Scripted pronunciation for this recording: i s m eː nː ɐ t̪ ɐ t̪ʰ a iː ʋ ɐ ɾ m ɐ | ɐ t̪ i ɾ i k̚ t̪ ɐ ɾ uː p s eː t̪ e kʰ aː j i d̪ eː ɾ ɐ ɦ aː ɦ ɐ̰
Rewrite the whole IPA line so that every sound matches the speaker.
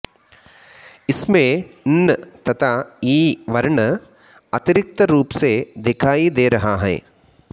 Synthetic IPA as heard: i s m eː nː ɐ t̪ ɐ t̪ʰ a iː ʋ ɐ ɾ ɳ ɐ | ɐ t̪ i ɾ i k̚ t̪ ɐ ɾ uː p s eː d̪ e kʰ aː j i d̪ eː ɾ ɐ ɦ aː ɦ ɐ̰